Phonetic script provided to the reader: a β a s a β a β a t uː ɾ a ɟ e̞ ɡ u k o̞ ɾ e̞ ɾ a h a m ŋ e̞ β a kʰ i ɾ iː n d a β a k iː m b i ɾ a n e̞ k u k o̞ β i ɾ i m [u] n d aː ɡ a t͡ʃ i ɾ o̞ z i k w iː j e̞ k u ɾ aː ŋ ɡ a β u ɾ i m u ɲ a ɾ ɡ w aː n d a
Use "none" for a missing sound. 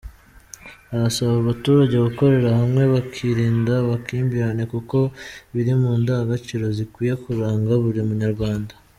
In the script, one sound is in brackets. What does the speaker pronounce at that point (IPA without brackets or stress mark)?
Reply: uː